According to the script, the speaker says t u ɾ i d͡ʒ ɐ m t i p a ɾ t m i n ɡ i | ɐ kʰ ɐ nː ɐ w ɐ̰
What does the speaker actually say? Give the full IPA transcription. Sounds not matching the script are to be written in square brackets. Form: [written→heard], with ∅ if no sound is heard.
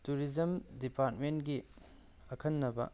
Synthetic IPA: t u ɾ i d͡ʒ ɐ m [t→d] i p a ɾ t m [i→e] n ɡ i | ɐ kʰ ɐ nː ɐ [w→b] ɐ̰